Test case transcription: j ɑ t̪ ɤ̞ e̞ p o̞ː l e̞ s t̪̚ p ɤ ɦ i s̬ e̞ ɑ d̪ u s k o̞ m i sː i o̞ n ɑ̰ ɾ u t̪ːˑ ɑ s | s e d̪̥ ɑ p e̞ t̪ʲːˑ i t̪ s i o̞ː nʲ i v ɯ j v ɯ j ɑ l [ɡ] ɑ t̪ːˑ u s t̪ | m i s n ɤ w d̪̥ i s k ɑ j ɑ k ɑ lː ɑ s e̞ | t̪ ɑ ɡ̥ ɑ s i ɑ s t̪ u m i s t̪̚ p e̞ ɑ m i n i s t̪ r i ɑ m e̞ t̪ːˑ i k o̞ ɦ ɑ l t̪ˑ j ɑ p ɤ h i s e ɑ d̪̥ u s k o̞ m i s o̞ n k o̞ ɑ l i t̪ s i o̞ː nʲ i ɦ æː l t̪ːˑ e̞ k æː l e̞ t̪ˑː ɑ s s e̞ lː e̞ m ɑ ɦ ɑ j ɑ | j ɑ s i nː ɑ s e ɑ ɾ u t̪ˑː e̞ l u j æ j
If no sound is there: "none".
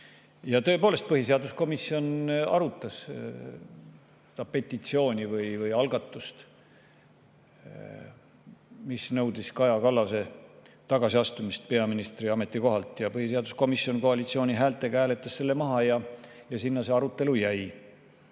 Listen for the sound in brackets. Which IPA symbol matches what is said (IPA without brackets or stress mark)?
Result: ɡ